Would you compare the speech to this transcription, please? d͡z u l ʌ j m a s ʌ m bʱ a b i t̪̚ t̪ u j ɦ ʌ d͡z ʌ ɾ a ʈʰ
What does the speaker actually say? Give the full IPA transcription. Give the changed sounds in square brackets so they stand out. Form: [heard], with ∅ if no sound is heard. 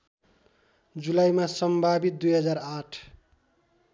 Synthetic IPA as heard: d͡z u l [a] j m a s ʌ m bʱ a b i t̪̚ [d̪] u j ɦ ʌ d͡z [a] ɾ a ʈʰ